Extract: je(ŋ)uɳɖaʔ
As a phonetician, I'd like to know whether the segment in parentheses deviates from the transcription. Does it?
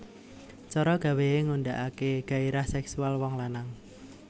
no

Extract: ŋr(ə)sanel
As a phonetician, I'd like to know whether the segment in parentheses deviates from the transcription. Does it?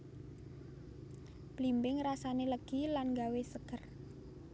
yes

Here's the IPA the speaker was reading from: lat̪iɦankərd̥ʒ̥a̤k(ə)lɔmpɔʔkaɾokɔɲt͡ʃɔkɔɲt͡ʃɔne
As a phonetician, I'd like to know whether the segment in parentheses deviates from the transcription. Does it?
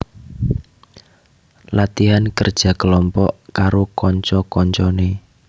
no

